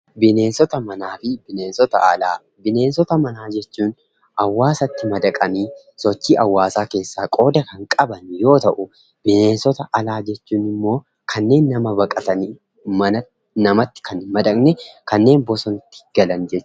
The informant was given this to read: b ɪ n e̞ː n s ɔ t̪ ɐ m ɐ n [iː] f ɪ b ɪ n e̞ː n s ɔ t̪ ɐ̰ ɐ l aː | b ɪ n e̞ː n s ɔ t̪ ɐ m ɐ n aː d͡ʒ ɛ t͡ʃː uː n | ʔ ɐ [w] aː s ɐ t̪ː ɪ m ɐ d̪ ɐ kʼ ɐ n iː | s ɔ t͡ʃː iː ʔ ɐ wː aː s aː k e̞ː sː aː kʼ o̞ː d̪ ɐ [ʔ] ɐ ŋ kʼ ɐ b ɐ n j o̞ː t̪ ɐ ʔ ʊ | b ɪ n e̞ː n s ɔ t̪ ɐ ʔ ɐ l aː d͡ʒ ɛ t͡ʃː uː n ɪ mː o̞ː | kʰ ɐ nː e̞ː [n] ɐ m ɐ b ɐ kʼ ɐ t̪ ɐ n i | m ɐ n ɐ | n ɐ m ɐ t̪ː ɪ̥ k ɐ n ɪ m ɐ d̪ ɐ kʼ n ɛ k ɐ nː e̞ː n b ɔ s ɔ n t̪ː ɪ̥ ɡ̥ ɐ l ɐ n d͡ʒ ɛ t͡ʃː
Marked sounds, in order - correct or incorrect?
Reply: incorrect: aː, incorrect: wː, incorrect: k, incorrect: nː

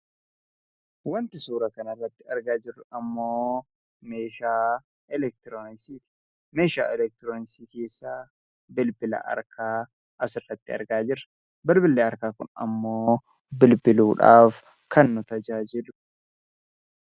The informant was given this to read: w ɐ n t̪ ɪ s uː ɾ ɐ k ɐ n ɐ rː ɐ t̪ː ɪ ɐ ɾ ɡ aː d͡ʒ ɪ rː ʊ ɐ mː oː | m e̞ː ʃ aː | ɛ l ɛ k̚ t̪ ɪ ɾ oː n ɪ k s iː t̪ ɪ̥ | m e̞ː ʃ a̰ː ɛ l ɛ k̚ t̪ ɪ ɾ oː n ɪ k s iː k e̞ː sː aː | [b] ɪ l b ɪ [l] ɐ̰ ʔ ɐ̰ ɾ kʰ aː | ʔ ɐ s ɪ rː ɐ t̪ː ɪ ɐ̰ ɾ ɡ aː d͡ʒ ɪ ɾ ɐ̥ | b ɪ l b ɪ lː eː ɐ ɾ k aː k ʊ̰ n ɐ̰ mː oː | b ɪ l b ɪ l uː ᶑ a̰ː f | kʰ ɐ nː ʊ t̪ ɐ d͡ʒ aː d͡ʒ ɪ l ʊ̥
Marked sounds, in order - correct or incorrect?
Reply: correct, correct

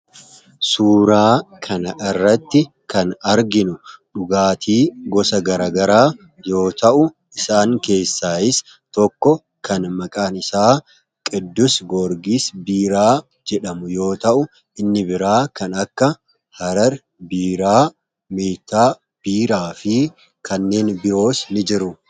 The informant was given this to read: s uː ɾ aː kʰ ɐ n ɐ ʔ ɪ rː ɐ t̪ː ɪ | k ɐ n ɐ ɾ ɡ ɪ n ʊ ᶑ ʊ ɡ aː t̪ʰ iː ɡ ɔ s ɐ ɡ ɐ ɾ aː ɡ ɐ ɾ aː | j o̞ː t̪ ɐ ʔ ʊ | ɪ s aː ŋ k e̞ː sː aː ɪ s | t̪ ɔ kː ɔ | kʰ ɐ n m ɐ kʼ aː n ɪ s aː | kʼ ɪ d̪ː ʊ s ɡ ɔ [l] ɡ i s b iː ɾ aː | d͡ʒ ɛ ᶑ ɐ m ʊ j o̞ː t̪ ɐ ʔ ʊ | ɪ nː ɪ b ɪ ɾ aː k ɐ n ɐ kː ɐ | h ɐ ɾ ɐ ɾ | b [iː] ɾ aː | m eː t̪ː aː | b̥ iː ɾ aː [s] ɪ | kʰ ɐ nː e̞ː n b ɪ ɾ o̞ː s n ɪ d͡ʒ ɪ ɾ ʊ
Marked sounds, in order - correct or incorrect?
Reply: incorrect: ɾ, correct, incorrect: f

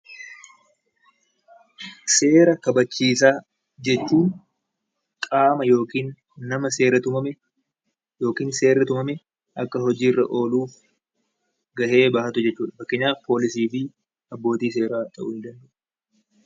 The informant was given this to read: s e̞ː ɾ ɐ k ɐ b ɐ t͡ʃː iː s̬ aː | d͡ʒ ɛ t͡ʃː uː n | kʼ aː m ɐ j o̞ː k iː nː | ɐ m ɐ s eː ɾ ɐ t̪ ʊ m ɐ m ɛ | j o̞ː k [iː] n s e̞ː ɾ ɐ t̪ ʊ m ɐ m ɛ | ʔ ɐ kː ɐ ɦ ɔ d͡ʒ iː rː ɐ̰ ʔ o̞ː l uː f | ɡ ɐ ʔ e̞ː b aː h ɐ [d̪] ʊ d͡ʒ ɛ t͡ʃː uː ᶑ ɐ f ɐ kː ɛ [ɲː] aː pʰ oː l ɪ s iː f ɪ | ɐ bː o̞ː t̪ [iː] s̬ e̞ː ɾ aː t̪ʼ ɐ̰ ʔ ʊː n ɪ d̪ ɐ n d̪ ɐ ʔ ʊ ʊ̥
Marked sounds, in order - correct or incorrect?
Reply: correct, incorrect: t̪, correct, correct

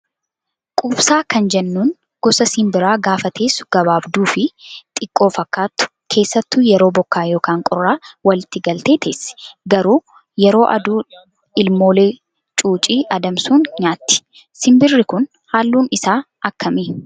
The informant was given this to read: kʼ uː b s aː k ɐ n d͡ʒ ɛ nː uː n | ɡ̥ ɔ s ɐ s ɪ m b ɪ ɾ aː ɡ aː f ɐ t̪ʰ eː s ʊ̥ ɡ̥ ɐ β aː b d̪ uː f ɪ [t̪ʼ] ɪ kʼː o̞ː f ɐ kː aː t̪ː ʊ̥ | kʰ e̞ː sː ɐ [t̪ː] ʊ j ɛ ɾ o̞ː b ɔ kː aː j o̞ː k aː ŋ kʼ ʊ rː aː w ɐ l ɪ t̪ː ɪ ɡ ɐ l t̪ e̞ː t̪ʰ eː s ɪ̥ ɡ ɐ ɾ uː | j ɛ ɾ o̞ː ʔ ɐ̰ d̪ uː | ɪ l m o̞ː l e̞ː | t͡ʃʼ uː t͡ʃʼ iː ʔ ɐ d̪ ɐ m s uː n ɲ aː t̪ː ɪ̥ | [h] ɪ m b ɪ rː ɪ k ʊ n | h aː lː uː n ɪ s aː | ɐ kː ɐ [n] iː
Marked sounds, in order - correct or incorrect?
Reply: correct, correct, incorrect: s, incorrect: m

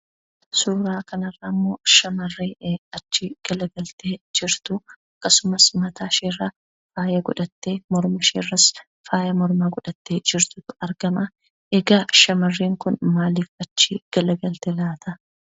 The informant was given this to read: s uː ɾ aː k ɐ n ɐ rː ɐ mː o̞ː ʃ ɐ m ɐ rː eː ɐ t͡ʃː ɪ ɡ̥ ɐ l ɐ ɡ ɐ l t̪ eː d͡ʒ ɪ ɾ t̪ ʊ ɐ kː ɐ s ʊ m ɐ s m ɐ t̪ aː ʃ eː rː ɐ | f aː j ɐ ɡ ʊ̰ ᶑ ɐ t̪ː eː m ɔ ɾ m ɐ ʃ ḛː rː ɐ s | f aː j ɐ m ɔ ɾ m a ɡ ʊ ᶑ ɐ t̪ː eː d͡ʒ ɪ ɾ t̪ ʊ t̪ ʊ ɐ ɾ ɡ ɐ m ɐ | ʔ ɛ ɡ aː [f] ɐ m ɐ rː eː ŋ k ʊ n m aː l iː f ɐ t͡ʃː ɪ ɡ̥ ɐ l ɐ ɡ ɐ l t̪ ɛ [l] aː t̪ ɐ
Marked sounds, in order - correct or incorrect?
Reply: incorrect: ʃ, correct

